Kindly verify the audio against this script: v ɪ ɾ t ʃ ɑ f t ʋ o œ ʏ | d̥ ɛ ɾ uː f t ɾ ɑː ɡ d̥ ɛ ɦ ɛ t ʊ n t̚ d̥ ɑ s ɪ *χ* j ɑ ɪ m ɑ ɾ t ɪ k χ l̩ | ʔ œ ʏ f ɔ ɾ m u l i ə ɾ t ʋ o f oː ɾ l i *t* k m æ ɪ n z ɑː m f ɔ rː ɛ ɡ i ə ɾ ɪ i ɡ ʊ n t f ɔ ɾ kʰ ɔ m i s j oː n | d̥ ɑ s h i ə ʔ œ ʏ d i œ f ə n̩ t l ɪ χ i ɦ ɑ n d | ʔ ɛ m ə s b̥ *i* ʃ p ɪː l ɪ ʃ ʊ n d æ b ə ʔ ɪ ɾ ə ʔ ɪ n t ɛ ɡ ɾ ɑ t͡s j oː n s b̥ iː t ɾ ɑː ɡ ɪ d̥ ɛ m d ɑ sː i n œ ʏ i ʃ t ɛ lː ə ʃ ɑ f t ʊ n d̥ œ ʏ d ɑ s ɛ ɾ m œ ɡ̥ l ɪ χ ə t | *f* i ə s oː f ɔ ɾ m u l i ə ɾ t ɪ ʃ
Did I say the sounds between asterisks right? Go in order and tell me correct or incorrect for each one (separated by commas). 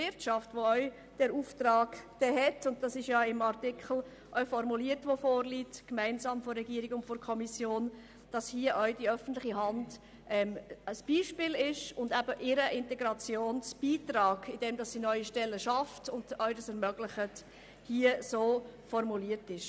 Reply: incorrect, correct, incorrect, incorrect